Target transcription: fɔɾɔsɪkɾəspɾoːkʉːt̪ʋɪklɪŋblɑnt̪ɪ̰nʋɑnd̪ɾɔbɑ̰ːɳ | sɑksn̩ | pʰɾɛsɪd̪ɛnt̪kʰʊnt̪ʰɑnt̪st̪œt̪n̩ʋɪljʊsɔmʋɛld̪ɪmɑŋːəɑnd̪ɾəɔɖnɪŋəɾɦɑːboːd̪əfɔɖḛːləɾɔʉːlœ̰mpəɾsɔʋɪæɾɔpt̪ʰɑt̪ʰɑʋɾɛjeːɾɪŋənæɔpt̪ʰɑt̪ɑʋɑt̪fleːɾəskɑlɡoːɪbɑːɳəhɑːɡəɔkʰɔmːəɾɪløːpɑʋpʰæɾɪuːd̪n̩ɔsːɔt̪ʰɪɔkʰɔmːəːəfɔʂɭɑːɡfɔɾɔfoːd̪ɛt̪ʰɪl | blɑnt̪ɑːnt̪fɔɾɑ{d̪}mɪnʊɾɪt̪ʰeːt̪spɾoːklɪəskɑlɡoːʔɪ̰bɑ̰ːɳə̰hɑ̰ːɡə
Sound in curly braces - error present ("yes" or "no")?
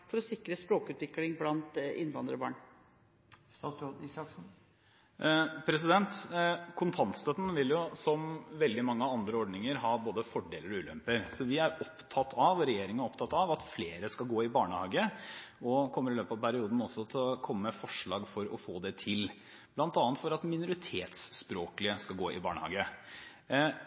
yes